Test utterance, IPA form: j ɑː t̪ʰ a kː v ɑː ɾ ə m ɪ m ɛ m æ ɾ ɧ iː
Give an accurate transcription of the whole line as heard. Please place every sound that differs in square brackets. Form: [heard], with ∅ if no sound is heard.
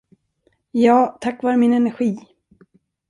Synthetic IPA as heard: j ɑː t̪ʰ a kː v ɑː ɾ ə m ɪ [n] ɛ [n] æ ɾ ɧ iː